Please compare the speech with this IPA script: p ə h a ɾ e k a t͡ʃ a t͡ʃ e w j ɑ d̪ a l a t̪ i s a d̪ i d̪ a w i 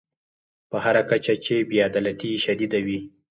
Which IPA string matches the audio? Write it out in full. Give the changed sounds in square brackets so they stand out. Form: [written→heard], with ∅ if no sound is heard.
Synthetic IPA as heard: p ə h a ɾ [e→a] k a t͡ʃ a t͡ʃ e [w→b] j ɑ d̪ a l a t̪ i [s→ʃ] a d̪ i d̪ a w i